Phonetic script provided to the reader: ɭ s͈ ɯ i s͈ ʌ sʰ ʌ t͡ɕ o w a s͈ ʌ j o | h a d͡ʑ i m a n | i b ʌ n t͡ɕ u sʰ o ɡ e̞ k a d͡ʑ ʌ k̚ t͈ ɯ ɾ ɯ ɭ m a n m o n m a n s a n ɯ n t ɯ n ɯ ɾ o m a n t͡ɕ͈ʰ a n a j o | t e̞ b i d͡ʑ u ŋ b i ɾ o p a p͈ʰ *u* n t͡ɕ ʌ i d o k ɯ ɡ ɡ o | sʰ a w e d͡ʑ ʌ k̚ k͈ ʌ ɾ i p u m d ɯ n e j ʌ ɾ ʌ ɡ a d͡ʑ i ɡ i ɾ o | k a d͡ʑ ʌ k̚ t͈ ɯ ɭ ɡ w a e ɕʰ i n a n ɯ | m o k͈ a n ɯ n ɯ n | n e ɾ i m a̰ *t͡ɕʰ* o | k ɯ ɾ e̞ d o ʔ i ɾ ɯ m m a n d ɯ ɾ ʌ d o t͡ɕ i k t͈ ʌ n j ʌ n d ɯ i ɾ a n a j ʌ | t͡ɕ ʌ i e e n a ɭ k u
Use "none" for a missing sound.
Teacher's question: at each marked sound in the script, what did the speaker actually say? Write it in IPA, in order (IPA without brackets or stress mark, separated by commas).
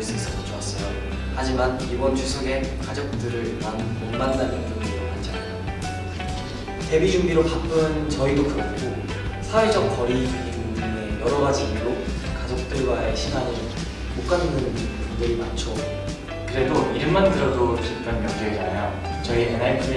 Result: ɯ, t͡ɕʰ